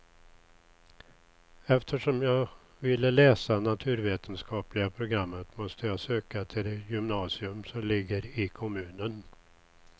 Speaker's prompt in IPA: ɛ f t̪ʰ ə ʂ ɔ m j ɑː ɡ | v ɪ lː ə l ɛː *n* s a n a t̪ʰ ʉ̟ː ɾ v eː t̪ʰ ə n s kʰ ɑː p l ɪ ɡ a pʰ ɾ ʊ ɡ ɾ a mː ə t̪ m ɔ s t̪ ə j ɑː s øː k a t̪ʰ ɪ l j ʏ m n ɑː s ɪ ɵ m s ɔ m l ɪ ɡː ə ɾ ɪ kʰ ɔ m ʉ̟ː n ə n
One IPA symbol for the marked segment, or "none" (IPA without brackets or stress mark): none